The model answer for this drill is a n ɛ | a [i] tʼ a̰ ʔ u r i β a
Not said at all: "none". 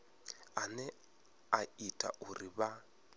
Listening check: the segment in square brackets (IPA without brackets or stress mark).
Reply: i